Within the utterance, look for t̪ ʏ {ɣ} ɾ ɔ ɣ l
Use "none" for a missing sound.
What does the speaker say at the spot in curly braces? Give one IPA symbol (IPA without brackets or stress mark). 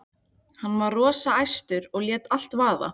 none